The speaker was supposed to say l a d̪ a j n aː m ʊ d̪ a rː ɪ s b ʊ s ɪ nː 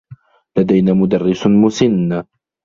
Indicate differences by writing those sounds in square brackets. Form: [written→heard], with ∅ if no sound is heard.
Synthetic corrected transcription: l a d̪ a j n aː m ʊ d̪ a rː ɪ s [b→m] ʊ s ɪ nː

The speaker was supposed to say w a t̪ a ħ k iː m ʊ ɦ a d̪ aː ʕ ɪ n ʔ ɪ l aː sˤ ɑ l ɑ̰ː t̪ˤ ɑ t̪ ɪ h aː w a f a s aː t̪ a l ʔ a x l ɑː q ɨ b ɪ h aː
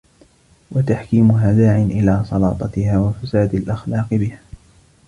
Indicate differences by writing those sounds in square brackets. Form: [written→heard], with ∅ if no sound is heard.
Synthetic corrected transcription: w a t̪ a ħ k iː m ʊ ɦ a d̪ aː ʕ ɪ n ʔ ɪ l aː sˤ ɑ l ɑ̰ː t̪ˤ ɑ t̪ ɪ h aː w a f a s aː [t̪→d̪] a l ʔ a x l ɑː q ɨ b ɪ h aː

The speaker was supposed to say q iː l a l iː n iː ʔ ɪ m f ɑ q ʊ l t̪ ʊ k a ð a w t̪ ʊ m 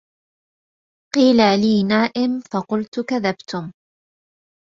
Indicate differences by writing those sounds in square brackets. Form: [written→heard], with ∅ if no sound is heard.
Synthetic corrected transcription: q iː l a l iː n [iː→aː] ʔ ɪ m f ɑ q ʊ l t̪ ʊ k a ð a [w→b] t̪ ʊ m

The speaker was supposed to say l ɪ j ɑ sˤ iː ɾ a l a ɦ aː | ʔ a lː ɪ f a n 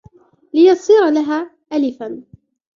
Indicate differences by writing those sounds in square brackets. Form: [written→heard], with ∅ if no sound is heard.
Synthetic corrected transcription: l ɪ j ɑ sˤ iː ɾ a l a ɦ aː | ʔ a [lː→l] ɪ f a n

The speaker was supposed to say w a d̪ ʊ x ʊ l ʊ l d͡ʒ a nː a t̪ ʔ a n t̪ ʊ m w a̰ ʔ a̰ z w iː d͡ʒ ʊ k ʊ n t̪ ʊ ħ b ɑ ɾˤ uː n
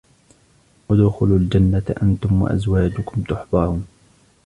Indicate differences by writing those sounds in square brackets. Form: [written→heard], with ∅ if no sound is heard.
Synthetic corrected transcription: w a d̪ ʊ x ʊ l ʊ l d͡ʒ a nː a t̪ ʔ a n t̪ ʊ m w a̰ ʔ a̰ z w [iː→aː] d͡ʒ ʊ k ʊ [n→m] t̪ ʊ ħ b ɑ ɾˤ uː n

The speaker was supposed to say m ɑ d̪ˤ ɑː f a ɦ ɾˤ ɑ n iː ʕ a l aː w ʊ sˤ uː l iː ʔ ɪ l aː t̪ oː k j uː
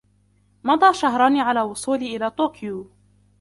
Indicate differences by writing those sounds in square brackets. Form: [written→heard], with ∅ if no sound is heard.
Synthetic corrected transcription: m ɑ d̪ˤ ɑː [f→ʃ] a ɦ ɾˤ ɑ n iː ʕ a l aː w ʊ sˤ uː l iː ʔ ɪ l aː t̪ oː k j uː

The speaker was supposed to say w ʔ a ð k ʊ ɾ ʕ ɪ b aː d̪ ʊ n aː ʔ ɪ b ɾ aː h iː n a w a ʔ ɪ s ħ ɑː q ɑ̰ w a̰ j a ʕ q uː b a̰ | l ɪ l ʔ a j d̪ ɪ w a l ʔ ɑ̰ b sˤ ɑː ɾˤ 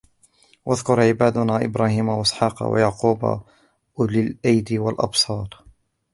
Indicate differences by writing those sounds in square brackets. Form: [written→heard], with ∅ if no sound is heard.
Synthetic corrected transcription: w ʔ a ð k ʊ ɾ ʕ ɪ b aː d̪ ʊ n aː ʔ ɪ b ɾ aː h iː [n→m] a w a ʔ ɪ s ħ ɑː q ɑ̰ w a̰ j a ʕ q uː b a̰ | l ɪ l ʔ a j d̪ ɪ w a l ʔ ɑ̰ b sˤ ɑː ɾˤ

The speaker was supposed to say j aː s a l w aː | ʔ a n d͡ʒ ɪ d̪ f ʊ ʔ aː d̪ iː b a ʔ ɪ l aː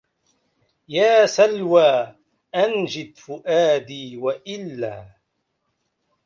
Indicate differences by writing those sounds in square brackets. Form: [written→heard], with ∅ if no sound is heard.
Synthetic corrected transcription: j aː s a l w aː | ʔ a n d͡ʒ ɪ d̪ f ʊ ʔ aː d̪ iː [b→w] a ʔ ɪ [l→lː] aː

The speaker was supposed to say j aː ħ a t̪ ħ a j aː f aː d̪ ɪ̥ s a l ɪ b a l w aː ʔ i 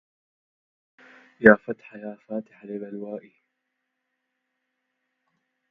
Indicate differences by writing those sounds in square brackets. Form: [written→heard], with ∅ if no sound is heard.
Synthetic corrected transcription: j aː [ħ→f] a t̪ ħ a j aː f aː [d̪→t̪] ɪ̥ [s→ħ] a l ɪ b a l w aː ʔ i

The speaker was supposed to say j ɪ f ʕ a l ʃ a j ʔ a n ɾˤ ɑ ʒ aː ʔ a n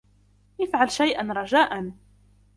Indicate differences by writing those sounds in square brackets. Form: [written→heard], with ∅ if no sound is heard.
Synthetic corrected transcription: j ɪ f ʕ a l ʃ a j ʔ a n ɾˤ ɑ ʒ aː ʔ a n

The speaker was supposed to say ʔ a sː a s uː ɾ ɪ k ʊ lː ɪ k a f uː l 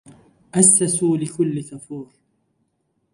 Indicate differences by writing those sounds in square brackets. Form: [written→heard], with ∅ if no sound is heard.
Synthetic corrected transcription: ʔ a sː a s uː [ɾ→l] ɪ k ʊ lː ɪ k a f uː [l→ɾ]

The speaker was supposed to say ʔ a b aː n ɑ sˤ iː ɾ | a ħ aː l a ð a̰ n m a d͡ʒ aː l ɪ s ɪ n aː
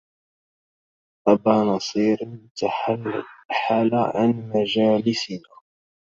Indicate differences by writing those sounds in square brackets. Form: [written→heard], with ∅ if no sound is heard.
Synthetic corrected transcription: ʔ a b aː n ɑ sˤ iː ɾ | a ħ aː l a [ð→ʕ] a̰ n m a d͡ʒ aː l ɪ s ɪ n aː

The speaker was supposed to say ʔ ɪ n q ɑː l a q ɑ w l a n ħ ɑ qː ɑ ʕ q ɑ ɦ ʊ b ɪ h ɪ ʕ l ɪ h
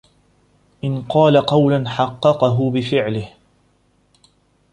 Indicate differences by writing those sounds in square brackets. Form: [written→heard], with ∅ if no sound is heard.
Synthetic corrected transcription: ʔ ɪ n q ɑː l a q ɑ w l a n ħ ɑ qː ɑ [ʕ→∅] q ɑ ɦ ʊ b ɪ [h→f] ɪ ʕ l ɪ h

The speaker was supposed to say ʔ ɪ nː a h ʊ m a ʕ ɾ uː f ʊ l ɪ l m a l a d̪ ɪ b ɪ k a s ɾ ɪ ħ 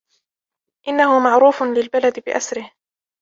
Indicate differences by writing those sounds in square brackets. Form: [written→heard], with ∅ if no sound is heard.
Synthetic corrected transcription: ʔ ɪ nː a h ʊ m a ʕ ɾ uː f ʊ l ɪ l [m→b] a l a d̪ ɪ b ɪ [k→ʔ] a s ɾ ɪ [ħ→h]

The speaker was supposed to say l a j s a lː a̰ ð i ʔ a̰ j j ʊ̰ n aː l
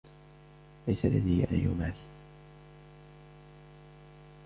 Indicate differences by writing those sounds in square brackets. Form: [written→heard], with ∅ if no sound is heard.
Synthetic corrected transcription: l a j s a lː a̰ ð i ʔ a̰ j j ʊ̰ [n→m] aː l

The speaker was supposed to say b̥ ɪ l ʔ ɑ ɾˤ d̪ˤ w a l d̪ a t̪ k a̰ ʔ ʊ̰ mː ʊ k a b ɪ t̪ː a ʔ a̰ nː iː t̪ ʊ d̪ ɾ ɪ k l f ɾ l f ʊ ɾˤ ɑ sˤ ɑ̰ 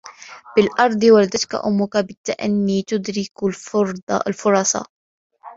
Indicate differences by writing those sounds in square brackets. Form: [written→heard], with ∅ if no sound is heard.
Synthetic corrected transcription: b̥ ɪ l ʔ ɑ ɾˤ d̪ˤ w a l d̪ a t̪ k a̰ ʔ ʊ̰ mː ʊ k a b ɪ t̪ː a ʔ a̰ nː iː t̪ ʊ d̪ ɾ ɪ k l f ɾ l f ʊ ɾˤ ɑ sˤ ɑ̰

